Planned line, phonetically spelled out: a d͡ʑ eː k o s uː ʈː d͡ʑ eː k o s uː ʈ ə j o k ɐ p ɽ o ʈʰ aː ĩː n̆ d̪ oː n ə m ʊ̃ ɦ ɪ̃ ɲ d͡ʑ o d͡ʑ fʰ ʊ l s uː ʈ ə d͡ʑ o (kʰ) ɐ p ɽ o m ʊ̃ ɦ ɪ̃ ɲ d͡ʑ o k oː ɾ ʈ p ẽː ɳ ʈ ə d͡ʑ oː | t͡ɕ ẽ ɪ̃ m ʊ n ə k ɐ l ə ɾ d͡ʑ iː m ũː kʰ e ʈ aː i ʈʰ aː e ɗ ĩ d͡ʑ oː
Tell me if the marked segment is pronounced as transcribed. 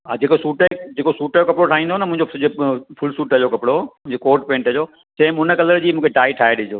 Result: no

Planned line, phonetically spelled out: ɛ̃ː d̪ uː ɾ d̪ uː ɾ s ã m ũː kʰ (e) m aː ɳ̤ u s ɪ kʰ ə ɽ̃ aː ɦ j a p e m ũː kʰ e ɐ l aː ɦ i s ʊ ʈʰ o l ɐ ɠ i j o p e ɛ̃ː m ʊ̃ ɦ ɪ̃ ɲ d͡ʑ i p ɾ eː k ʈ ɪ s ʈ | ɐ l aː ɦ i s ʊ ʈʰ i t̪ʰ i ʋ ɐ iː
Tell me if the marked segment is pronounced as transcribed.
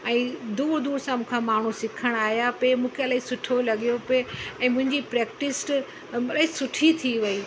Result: no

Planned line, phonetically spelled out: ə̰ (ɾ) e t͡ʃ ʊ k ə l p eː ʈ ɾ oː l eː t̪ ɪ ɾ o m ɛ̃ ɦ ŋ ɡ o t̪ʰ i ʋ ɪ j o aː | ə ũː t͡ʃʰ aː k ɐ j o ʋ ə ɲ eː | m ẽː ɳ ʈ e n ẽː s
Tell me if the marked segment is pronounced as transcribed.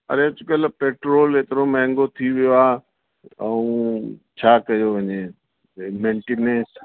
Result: yes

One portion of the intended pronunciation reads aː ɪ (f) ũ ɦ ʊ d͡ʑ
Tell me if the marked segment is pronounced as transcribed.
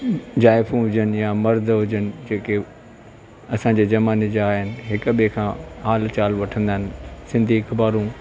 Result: yes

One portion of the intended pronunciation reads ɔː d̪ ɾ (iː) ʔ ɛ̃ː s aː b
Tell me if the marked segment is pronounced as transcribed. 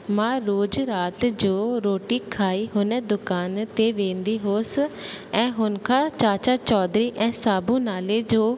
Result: yes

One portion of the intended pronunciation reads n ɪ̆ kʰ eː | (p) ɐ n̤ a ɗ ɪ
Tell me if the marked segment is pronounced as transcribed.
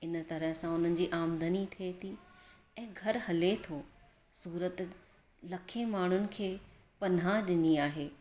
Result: yes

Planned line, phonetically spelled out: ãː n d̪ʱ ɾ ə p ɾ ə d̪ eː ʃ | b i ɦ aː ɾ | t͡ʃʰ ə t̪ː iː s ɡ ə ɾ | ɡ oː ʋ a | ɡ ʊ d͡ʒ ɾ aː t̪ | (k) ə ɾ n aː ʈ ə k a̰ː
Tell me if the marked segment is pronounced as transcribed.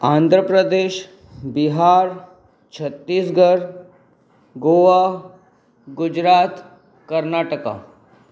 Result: yes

